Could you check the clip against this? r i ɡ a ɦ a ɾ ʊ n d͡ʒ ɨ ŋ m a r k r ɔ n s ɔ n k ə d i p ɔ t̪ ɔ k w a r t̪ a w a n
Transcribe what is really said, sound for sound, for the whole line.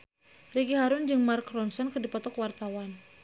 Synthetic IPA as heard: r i ɡ i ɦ a ɾ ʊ n d͡ʒ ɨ ŋ m a r k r ɔ n s ɔ n k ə d i p ɔ t̪ ɔ k w a r t̪ a w a n